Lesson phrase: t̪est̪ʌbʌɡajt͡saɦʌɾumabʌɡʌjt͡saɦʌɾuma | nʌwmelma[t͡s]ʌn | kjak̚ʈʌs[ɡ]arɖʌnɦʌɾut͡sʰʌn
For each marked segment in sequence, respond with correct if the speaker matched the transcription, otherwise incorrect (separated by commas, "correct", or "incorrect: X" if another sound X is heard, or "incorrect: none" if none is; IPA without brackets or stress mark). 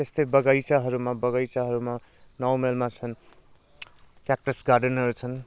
incorrect: t͡sʰ, correct